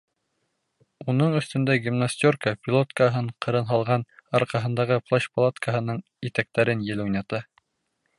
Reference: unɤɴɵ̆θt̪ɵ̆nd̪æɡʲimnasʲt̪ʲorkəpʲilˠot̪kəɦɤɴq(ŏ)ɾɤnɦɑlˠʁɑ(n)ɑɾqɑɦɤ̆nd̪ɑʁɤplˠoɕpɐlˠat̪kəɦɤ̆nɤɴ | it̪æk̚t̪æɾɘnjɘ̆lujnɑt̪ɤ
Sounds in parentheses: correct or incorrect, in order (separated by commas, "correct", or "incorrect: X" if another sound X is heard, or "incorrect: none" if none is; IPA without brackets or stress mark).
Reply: incorrect: ɤ̆, correct